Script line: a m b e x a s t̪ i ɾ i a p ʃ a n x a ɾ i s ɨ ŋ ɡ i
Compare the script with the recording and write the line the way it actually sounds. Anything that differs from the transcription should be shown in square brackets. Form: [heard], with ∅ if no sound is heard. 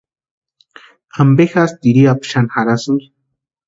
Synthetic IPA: a m b e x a s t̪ i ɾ i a p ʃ a n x a ɾ [a] s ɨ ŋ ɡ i